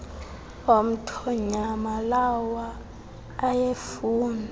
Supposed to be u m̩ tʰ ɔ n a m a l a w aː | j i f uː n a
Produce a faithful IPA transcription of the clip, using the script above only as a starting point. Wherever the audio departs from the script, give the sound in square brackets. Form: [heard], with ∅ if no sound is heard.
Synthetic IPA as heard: [o] m̩ tʰ ɔ [ɲ] a m a l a w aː | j [e] f uː n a